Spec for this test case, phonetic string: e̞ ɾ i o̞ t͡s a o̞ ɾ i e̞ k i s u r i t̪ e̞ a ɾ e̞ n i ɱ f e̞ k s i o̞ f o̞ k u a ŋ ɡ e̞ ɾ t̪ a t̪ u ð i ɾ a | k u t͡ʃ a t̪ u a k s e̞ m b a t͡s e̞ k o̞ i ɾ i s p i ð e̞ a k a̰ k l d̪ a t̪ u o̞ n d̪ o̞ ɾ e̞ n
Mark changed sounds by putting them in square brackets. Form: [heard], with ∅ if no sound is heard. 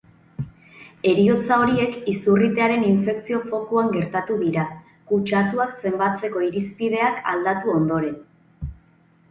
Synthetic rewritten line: e̞ ɾ i o̞ t͡s a o̞ ɾ i e̞ k i s u r i t̪ e̞ a ɾ e̞ n i ɱ f e̞ k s i o̞ f o̞ k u a ŋ ɡ e̞ ɾ t̪ a t̪ u ð i ɾ a | k u t͡ʃ a t̪ u a k s e̞ m b a t͡s e̞ k o̞ i ɾ i s p i ð e̞ a k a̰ [∅] l d̪ a t̪ u o̞ n d̪ o̞ ɾ e̞ n